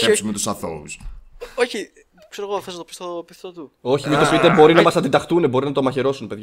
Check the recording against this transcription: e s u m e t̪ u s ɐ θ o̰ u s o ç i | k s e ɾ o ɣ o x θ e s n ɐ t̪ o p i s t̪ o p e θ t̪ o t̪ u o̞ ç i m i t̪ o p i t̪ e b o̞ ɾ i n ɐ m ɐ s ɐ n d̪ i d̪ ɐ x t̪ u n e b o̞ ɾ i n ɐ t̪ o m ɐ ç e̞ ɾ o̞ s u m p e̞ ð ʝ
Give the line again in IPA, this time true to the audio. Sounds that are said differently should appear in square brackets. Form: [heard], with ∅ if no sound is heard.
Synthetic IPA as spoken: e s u m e t̪ u s ɐ θ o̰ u s o ç i | k s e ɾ o ɣ o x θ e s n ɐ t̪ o p i s t̪ o p [i] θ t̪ o t̪ u o̞ ç i m i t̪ o p i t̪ e b o̞ ɾ i n ɐ m ɐ s ɐ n d̪ i d̪ ɐ x t̪ u n e b o̞ ɾ i n ɐ t̪ o m ɐ ç e̞ ɾ o̞ s u [n] p e̞ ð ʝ